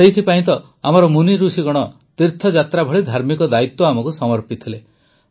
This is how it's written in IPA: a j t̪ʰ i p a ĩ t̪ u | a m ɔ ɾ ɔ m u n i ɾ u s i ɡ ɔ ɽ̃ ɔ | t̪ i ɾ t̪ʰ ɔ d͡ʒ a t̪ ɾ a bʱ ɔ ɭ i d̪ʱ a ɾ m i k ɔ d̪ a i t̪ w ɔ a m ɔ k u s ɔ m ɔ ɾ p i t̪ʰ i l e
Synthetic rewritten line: e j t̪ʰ i p a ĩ t̪ ɔ | a m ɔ ɾ ɔ m u n i ɾ u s i ɡ ɔ ɽ̃ ɔ | t̪ i ɾ t̪ʰ ɔ d͡ʒ a t̪ ɾ a bʱ ɔ ɭ i d̪ʱ a ɾ m i k ɔ d̪ a i t̪ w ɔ a m ɔ k u s ɔ m ɔ ɾ p i t̪ʰ i l e